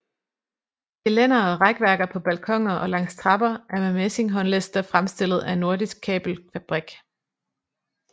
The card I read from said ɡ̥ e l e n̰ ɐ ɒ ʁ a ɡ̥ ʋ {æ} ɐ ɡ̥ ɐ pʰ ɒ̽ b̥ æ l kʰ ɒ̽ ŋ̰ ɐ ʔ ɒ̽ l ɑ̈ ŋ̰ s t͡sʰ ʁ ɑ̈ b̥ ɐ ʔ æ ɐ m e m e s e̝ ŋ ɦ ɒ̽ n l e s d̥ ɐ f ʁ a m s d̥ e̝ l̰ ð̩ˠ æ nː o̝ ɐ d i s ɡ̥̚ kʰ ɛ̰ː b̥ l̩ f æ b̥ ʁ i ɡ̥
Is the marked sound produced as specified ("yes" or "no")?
yes